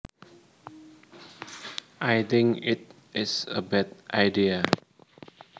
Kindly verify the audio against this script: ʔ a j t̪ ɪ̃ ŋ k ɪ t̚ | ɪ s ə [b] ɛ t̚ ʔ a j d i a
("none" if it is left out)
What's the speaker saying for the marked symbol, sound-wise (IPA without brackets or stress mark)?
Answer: b